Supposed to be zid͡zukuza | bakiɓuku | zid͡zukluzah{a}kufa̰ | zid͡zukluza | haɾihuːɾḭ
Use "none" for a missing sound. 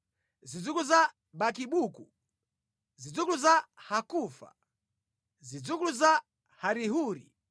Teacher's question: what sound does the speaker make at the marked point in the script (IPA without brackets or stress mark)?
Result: a